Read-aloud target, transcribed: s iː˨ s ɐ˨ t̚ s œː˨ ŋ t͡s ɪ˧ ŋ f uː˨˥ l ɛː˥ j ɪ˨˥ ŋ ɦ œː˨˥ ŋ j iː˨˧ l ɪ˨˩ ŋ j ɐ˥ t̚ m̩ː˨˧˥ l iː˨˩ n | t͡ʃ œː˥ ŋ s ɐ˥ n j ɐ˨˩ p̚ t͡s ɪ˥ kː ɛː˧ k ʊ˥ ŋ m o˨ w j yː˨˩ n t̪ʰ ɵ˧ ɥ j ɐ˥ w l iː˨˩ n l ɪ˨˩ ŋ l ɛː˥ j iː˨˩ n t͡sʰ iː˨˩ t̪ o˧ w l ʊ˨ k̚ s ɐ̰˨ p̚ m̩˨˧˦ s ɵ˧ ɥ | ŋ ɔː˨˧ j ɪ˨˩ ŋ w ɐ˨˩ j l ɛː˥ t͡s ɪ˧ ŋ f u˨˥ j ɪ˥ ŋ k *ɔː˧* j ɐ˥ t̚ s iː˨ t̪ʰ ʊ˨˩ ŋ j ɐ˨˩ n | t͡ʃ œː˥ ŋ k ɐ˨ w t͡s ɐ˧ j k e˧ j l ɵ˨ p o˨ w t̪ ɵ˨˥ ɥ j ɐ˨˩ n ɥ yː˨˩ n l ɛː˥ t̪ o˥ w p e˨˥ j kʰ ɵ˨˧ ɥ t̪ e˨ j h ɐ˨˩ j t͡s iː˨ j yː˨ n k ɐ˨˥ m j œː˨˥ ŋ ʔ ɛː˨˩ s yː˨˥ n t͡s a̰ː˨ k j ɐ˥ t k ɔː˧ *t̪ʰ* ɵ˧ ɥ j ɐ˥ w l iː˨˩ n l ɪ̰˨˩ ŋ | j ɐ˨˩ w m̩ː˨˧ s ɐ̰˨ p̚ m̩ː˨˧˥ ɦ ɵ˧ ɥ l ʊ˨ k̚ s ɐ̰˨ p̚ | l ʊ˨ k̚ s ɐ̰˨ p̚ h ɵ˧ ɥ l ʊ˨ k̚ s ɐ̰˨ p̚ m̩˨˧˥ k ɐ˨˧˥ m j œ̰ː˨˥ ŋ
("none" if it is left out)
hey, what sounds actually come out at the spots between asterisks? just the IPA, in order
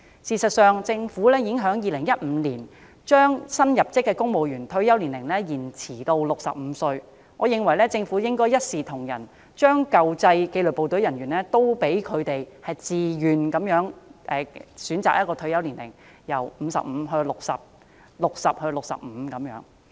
ɔː˥, t̪ʰ

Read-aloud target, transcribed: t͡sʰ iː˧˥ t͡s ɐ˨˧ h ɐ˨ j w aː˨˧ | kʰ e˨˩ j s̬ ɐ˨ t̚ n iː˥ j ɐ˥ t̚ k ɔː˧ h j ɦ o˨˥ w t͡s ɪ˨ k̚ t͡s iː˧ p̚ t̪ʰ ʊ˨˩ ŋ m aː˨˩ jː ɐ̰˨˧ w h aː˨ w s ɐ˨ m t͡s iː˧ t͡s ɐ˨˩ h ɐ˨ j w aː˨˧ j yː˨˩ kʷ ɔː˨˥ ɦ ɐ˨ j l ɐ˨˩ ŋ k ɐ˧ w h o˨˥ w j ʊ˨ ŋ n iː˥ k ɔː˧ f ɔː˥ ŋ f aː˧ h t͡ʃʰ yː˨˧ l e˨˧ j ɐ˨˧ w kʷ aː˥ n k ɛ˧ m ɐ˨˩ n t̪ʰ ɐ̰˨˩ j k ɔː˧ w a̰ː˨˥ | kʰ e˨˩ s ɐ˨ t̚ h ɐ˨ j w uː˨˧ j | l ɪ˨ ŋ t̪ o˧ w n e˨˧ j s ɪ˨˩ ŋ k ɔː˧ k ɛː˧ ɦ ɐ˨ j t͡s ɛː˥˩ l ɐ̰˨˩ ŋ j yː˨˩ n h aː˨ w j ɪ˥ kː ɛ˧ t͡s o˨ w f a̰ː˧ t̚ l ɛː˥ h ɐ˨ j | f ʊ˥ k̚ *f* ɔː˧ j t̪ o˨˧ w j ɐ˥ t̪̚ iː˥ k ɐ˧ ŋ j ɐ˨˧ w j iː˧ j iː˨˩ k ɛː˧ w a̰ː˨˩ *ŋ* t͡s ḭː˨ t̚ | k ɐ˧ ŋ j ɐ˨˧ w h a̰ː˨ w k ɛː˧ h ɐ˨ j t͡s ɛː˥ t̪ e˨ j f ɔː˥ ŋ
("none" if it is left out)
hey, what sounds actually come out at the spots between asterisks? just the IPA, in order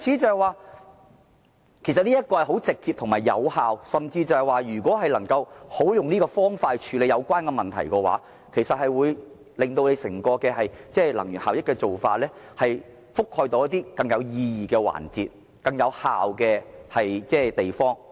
h, n

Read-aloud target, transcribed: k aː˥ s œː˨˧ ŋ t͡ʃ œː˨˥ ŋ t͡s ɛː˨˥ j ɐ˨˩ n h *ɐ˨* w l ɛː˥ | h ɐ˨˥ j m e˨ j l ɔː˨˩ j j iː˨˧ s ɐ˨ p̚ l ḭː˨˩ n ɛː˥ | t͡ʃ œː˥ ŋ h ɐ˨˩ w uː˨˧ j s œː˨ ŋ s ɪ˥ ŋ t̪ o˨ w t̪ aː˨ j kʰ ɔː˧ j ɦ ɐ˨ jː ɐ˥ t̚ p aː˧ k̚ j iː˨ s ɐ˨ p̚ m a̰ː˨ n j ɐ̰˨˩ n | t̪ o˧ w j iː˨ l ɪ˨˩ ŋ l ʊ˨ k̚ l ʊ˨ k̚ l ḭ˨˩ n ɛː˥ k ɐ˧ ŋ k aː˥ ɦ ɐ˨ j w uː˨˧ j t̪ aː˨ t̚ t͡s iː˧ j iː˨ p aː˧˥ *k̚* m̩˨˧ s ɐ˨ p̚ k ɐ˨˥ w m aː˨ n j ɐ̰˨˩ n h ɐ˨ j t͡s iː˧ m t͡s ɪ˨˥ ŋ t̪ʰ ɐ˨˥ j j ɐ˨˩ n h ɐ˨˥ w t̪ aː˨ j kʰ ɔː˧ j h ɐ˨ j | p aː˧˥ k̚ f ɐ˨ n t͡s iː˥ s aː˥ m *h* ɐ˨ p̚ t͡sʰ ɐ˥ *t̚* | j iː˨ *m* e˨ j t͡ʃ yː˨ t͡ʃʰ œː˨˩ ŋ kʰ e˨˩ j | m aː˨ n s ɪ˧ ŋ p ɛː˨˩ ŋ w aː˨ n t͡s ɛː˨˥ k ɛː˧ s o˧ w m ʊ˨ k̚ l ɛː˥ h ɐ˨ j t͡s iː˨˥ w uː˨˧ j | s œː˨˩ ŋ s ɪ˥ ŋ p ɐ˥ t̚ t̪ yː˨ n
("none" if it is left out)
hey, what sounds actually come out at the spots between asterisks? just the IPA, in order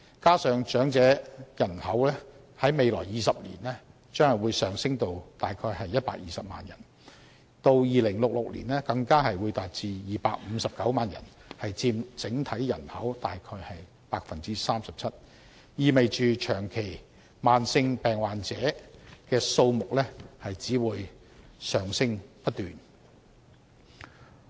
ɐ˨˥, k̚, s, t̚, m

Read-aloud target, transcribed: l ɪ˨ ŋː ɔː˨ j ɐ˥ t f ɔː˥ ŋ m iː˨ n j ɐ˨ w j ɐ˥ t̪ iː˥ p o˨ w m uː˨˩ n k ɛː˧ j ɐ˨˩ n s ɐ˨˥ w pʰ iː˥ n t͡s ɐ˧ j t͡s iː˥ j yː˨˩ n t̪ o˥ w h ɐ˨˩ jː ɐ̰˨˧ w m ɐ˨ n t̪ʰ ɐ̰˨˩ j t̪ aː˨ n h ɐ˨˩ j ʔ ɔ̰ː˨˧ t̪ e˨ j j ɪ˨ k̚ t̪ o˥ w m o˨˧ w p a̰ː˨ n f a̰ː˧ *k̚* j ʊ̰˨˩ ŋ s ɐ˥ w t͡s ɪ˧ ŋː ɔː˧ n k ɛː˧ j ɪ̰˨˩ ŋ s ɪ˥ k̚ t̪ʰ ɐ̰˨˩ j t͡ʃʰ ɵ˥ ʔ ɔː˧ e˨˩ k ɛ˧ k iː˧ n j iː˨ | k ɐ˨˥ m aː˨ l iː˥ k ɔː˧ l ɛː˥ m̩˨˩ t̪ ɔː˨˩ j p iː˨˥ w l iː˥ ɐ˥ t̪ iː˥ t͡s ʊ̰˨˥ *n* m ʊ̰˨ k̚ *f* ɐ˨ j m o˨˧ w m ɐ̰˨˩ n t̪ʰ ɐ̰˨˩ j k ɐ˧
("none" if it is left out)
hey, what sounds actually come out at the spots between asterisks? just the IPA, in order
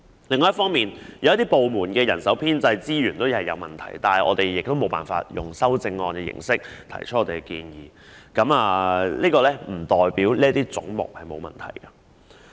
t̚, ŋ, h

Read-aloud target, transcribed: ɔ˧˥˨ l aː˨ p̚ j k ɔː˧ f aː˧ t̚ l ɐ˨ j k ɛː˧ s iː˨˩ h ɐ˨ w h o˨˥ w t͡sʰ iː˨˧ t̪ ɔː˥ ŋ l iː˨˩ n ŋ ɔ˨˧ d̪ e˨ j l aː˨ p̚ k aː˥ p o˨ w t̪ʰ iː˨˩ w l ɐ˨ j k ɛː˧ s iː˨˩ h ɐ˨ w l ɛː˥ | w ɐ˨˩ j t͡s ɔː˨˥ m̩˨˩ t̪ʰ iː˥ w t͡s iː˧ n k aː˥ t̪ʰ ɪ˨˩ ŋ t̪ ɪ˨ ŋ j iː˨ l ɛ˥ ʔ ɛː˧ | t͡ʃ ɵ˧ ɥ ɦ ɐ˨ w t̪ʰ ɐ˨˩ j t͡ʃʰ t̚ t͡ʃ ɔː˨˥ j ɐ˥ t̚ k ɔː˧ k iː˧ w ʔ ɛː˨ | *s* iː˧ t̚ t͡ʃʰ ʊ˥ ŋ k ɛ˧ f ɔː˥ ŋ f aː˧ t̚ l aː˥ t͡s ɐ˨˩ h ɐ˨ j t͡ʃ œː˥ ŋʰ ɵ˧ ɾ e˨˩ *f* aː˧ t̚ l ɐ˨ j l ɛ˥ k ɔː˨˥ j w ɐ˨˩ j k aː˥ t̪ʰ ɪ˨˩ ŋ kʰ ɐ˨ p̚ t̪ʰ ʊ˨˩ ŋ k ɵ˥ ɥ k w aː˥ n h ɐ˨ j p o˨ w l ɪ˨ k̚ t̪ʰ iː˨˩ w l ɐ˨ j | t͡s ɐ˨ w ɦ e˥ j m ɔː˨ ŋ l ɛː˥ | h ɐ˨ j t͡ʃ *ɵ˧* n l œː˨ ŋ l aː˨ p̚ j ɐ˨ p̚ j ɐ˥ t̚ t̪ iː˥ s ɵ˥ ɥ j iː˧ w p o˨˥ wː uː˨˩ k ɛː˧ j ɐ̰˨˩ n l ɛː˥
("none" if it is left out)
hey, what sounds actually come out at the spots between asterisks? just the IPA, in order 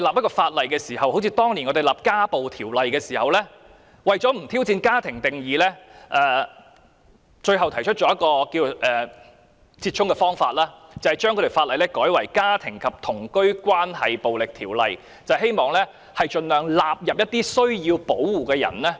t͡s, f, ɵ˧

